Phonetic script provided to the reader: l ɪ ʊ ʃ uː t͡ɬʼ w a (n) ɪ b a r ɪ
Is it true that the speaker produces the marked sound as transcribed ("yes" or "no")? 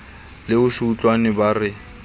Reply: yes